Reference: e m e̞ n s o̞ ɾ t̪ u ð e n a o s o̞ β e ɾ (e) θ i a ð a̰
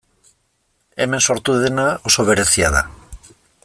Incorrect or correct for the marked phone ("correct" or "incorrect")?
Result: correct